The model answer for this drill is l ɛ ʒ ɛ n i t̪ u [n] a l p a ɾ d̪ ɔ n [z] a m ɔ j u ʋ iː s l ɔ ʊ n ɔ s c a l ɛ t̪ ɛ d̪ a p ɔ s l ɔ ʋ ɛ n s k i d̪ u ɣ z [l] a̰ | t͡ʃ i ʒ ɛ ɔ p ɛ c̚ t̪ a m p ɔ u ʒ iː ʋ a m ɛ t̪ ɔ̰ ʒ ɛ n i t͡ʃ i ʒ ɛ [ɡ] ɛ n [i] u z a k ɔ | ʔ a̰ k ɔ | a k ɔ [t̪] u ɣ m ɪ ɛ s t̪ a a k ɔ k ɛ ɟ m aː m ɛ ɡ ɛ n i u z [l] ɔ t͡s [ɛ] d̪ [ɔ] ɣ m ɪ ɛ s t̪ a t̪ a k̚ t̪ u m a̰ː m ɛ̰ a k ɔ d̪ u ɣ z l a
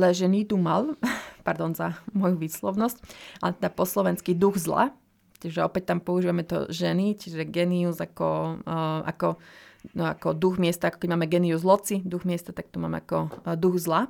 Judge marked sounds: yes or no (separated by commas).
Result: no, yes, yes, yes, yes, no, yes, no, no